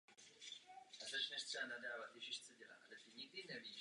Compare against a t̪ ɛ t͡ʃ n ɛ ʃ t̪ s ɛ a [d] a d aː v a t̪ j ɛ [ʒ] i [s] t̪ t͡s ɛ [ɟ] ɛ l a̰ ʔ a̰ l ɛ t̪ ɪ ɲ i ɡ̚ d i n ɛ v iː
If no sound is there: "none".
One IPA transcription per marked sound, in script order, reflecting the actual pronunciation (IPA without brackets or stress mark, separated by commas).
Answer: n, ʒ, ʃ, ɟ